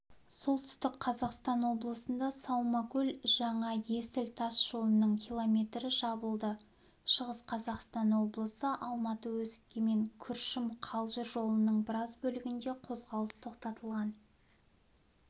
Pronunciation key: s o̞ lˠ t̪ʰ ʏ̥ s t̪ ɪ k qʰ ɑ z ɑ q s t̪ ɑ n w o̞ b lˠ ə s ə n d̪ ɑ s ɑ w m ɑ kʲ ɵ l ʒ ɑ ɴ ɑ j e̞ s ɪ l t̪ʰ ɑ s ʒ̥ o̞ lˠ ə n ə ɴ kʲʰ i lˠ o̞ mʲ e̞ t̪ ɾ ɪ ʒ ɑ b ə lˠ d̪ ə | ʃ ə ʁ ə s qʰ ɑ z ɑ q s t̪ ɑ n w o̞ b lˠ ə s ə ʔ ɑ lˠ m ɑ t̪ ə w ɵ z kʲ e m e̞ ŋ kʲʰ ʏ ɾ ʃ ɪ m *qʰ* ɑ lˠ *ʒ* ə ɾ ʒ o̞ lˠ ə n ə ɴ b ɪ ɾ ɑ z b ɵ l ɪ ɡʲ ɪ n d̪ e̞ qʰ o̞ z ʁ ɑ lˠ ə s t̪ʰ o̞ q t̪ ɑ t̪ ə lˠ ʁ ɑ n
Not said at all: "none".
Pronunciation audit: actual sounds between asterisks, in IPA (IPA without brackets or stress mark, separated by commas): qʰ, ʒ